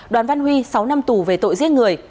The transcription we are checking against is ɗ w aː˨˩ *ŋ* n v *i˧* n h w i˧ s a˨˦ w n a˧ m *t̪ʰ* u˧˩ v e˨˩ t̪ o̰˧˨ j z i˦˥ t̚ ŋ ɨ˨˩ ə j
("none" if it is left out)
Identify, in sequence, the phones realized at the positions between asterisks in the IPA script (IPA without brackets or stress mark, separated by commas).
none, a˧, t̪